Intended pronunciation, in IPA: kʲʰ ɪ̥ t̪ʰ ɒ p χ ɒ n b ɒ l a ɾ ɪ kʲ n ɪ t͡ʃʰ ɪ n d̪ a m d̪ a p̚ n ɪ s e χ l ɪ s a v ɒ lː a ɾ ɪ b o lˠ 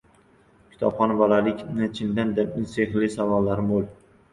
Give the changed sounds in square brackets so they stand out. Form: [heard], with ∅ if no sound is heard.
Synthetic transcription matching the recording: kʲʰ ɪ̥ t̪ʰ ɒ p χ ɒ n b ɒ l a [l] ɪ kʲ n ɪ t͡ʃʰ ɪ n d̪ a [n] d̪ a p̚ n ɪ s e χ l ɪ s a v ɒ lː a ɾ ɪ [m] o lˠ